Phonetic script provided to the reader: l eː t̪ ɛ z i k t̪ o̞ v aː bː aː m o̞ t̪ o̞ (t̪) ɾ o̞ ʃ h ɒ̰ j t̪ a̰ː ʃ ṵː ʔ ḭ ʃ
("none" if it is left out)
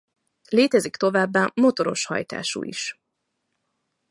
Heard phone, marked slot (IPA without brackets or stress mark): none